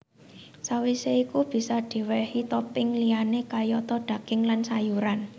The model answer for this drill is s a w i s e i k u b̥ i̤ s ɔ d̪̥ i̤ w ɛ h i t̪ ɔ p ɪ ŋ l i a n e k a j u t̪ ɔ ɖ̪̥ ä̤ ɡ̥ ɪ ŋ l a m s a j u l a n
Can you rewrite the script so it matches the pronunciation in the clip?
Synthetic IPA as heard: s a w i s e i k u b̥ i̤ s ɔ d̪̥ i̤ w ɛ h i t̪ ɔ p ɪ ŋ l i a n e k a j ɔ t̪ ɔ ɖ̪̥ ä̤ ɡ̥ ɪ ŋ l a n s a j u ɾ a n